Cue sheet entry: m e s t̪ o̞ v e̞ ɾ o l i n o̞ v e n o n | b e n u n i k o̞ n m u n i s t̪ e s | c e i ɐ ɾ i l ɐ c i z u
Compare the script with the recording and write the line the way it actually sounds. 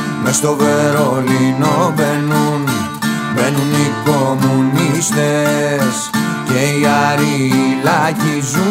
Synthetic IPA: m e s t̪ o̞ v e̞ ɾ o l i n o̞ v e n u n | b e n u n i k o̞ m u n i s t̪ e s | c e i ɐ ɾ i l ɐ c i z u